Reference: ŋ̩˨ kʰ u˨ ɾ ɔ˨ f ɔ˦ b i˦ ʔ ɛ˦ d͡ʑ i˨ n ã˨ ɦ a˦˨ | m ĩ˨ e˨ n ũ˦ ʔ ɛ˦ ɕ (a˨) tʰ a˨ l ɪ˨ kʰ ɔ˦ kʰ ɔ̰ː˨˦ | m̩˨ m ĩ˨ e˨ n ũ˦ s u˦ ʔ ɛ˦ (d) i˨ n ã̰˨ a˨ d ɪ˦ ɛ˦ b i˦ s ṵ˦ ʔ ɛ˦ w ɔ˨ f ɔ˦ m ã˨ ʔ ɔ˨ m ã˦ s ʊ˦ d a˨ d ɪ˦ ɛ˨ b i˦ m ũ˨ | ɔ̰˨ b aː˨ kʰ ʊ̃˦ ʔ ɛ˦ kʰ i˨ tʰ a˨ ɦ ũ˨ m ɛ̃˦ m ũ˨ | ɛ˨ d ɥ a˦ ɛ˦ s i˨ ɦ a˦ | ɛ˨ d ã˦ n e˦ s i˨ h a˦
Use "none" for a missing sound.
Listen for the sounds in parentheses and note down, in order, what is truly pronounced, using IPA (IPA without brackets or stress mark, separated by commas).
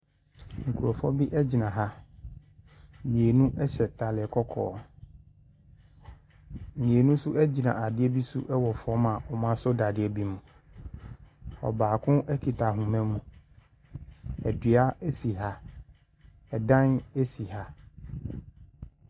ɛ˨, d͡ʑ